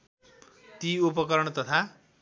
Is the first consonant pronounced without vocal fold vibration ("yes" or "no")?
yes